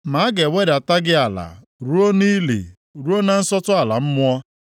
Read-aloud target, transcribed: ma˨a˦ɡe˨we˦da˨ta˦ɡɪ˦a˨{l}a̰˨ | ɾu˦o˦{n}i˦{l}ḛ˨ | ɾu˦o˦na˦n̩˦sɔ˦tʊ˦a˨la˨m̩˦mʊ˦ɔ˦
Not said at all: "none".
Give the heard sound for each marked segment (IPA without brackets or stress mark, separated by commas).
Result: l, n, l